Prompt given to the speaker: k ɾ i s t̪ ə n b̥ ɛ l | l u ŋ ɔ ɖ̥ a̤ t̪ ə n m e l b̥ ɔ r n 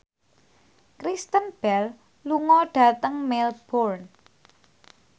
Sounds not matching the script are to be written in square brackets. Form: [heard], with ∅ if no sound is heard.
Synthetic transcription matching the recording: k ɾ i s t̪ ə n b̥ ɛ l | l u ŋ ɔ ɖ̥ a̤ t̪ ə [ŋ] m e l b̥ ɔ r n